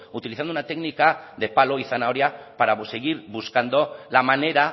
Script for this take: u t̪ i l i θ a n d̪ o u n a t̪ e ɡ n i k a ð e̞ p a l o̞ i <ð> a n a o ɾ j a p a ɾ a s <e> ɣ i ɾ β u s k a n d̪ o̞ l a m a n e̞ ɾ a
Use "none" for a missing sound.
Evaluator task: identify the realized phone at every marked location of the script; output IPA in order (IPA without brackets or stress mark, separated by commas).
θ, e